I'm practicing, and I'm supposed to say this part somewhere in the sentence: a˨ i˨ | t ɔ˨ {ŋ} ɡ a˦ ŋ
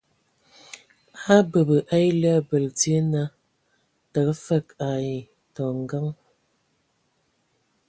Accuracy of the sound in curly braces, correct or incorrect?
correct